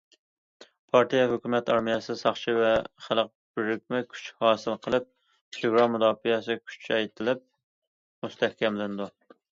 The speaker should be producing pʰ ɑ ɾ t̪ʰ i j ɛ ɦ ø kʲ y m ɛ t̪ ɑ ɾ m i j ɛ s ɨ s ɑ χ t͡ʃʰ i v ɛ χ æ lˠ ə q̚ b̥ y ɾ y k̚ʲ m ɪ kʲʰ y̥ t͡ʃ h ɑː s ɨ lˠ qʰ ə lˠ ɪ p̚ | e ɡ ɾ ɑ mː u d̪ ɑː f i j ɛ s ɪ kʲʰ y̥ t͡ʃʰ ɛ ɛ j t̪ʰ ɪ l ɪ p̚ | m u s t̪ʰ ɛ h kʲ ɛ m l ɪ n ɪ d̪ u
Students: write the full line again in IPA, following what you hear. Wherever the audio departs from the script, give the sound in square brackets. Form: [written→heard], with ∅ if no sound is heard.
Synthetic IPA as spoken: pʰ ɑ ɾ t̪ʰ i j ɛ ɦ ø kʲ y m ɛ t̪ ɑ ɾ m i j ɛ s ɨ s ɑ χ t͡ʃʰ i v ɛ χ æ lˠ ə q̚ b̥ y ɾ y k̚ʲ m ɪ kʲʰ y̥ t͡ʃ h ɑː s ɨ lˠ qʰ ə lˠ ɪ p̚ | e ɡ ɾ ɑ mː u d̪ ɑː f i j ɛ s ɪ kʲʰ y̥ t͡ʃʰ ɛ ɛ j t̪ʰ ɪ l ɪ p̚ | m u s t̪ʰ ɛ h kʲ ɛ m l ɪ n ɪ d̪ u